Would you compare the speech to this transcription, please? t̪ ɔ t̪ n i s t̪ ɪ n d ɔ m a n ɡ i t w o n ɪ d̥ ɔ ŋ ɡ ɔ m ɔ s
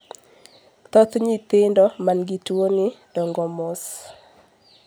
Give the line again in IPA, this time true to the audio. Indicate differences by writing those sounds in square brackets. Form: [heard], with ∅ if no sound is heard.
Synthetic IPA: t̪ ɔ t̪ [ɲ] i [∅] t̪ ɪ n d ɔ m a n ɡ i t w o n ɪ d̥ ɔ ŋ ɡ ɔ m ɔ s